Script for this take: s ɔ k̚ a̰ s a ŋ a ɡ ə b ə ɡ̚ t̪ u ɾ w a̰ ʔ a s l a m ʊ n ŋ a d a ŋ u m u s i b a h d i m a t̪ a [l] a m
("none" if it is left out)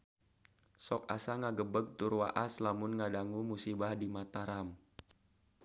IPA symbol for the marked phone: ɾ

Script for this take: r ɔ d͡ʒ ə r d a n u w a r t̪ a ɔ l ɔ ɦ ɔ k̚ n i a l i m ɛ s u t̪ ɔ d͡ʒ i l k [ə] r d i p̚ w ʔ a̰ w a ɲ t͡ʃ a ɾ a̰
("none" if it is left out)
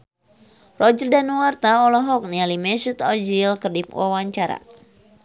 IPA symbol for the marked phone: ə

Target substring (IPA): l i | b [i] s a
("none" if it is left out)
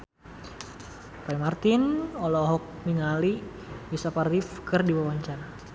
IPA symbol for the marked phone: i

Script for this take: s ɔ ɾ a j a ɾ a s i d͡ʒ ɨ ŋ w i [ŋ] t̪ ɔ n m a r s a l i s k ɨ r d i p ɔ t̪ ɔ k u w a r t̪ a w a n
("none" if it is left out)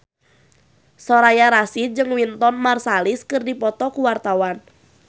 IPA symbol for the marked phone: n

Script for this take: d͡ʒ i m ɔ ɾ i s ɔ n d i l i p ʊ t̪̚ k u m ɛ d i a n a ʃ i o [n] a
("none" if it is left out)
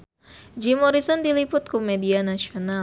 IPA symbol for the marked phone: n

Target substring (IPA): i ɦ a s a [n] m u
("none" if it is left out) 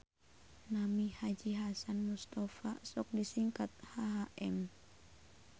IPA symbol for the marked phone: n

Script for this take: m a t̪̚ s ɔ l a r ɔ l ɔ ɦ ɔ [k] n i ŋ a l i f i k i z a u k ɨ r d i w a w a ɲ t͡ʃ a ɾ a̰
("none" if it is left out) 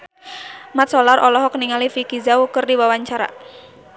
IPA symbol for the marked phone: k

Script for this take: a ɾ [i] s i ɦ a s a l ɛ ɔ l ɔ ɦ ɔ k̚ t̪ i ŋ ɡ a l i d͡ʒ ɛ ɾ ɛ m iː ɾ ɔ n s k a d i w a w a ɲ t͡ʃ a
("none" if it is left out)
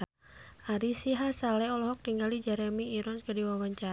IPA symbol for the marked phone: i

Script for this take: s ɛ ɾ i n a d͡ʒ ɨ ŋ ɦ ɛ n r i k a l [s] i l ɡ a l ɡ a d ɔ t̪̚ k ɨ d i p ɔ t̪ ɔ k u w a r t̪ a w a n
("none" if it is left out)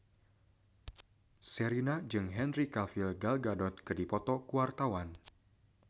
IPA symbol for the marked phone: f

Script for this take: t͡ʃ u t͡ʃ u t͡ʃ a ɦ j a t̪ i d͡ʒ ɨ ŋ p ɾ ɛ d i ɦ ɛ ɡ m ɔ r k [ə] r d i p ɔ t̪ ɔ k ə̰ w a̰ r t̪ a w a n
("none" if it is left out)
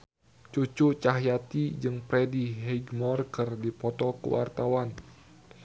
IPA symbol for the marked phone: ə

